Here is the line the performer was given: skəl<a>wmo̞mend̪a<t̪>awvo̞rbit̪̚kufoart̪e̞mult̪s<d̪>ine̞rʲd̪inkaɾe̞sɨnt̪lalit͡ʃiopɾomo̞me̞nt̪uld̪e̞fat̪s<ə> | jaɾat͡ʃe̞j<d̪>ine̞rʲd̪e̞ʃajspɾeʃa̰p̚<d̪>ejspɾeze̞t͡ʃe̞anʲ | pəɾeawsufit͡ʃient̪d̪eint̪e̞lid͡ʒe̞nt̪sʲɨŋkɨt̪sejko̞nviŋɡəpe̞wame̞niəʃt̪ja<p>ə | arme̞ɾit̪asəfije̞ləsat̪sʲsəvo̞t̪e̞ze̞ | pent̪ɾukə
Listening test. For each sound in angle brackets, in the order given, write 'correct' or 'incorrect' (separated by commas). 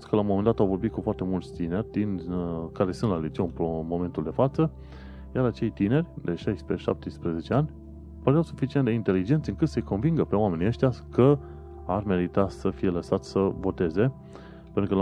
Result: correct, correct, incorrect, correct, incorrect, incorrect, incorrect